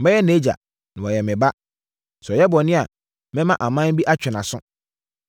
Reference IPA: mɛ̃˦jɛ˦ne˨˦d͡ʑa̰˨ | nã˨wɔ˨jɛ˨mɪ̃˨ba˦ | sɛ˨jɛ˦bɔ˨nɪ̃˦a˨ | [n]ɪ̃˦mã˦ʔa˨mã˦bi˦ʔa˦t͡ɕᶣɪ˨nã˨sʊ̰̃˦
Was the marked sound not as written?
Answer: yes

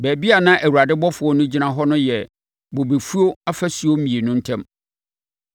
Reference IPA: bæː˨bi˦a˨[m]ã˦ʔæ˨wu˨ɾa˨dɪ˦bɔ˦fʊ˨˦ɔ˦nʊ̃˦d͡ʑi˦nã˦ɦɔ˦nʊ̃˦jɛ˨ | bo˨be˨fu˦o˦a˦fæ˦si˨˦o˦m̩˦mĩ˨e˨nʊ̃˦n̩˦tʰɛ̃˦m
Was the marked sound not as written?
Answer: yes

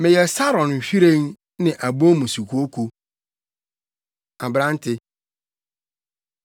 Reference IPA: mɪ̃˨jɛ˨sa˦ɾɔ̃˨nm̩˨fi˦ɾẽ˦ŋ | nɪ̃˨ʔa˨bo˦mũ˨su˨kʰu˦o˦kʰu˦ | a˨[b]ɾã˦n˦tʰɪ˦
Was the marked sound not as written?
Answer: no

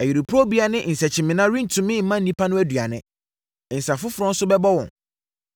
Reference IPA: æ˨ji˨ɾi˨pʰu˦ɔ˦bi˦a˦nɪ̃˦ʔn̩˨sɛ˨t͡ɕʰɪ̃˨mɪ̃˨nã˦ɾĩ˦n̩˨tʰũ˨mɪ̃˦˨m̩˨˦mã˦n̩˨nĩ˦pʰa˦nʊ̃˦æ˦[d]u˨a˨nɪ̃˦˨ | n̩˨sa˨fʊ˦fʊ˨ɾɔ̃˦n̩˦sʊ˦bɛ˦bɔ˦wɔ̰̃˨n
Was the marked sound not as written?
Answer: no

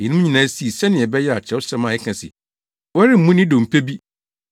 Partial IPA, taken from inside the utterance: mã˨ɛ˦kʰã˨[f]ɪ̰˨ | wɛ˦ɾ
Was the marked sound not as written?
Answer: yes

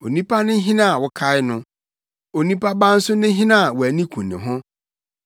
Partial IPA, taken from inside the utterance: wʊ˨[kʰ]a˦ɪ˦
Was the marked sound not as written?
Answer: no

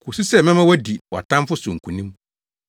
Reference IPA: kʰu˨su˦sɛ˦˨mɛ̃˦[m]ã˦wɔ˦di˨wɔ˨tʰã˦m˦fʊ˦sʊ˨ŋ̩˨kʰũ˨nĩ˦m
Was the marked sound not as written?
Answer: no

